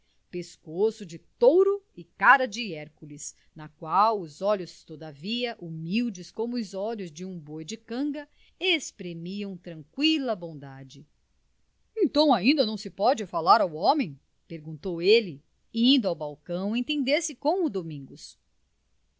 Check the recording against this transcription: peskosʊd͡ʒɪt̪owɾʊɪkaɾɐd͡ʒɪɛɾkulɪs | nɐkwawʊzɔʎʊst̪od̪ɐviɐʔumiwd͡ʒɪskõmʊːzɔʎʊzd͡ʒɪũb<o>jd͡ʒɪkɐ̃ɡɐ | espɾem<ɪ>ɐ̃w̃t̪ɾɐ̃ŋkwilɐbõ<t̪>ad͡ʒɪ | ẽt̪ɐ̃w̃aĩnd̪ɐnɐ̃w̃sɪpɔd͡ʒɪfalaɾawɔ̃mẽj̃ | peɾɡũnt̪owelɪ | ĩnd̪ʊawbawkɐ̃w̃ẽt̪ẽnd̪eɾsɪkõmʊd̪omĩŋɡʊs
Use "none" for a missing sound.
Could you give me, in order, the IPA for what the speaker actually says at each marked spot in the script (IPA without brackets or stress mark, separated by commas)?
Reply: o, i, d̪